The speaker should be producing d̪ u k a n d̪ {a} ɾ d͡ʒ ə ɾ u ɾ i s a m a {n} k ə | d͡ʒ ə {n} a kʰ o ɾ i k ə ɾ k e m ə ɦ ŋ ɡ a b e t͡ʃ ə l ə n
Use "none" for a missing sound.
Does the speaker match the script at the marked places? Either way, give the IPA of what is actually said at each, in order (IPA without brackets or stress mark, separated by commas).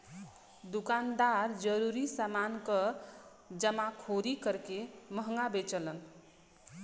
a, n, m